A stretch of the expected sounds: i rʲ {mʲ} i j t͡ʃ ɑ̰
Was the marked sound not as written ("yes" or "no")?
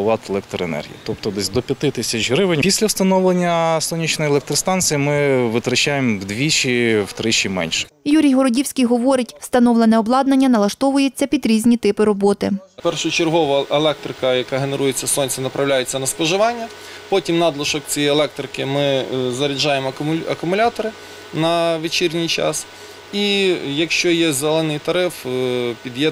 yes